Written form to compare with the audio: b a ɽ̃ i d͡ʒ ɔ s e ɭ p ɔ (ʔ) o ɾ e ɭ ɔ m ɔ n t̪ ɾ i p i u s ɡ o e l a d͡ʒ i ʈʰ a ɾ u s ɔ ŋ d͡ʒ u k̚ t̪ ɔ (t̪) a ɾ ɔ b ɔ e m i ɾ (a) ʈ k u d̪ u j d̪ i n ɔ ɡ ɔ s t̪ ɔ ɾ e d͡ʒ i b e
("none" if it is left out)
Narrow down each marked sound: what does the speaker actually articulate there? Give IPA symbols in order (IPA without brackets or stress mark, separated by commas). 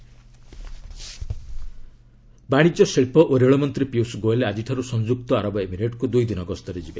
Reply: ʔ, none, e